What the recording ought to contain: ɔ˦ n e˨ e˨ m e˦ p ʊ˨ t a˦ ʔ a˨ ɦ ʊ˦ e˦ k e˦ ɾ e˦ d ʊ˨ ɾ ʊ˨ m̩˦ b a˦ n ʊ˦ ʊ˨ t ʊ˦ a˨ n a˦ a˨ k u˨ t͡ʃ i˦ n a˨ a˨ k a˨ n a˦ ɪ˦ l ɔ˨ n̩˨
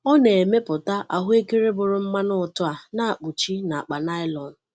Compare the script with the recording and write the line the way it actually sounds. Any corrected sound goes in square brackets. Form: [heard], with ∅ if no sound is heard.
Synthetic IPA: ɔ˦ n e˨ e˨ m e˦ p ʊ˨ t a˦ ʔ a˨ ɦ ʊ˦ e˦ k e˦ ɾ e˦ [b] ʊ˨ ɾ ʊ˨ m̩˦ [m] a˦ n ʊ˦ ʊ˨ t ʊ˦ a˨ n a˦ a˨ [k͡p] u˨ t͡ʃ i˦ n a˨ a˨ [k͡p] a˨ n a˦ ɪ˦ l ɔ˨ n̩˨